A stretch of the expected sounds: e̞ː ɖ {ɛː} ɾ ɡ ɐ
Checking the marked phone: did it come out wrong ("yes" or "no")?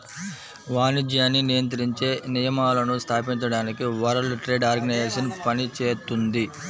yes